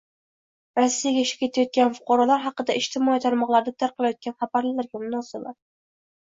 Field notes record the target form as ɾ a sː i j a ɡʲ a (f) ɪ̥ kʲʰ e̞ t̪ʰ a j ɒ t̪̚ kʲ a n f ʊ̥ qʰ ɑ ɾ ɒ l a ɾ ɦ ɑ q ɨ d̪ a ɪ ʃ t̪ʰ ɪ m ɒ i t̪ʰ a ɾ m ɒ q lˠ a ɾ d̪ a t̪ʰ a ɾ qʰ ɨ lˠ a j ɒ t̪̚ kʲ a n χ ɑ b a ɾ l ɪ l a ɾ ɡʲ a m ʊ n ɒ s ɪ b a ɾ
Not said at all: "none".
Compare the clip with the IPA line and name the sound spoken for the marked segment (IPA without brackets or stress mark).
ʃ